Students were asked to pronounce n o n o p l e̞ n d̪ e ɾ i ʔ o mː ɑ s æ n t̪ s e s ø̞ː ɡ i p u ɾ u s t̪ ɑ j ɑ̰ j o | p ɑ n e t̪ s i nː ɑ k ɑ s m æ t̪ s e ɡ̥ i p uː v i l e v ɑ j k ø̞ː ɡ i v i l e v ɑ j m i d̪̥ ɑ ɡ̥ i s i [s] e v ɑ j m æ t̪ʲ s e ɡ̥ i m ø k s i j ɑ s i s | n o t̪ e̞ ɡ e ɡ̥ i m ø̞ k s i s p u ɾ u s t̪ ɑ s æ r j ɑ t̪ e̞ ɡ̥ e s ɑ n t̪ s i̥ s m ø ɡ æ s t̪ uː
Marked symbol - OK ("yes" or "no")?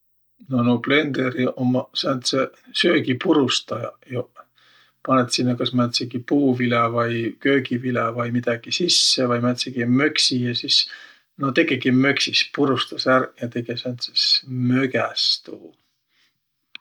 no